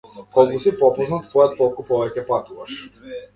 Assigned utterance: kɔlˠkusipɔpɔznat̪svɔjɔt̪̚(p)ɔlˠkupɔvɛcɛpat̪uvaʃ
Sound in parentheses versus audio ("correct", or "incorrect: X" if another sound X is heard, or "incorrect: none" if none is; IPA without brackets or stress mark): incorrect: k